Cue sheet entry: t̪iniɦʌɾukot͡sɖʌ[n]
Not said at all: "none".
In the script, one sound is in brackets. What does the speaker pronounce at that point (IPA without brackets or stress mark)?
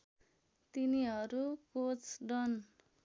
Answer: n